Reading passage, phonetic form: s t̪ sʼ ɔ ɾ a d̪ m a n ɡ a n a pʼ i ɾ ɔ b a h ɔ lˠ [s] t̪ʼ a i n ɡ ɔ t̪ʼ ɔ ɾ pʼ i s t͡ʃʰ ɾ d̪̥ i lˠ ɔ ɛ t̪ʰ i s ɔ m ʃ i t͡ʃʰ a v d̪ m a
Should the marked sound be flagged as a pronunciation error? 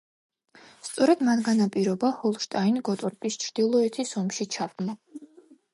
yes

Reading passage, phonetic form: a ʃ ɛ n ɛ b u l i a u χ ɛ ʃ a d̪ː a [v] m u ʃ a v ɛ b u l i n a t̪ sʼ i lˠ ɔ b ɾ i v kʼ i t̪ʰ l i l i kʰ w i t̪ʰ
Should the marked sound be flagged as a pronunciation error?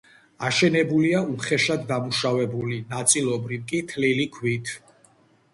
yes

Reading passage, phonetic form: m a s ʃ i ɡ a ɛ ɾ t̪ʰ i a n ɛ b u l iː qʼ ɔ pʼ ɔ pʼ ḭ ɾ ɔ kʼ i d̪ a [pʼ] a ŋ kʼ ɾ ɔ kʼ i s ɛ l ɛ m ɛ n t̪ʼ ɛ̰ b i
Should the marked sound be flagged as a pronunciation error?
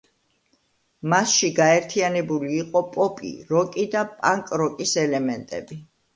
no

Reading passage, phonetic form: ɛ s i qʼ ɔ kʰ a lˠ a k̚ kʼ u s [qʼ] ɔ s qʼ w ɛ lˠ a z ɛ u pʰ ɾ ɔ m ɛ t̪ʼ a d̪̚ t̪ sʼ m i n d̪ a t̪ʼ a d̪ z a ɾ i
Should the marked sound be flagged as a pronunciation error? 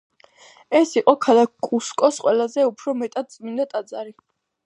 yes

